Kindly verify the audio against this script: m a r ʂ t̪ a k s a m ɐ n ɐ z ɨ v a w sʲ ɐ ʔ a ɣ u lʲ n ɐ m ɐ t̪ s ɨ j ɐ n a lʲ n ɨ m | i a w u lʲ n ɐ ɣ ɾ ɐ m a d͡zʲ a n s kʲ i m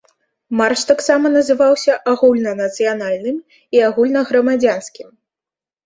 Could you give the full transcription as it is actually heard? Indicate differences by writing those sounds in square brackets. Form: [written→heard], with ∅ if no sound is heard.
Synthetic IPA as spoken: m a r ʂ t̪ a k s a m ɐ n ɐ z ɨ v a w sʲ ɐ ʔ a ɣ u lʲ n ɐ [m→n] ɐ t̪ s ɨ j [ɐ→a] n a lʲ n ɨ m | i a [w→ɣ] u lʲ n ɐ ɣ ɾ ɐ m a d͡zʲ a n s kʲ i m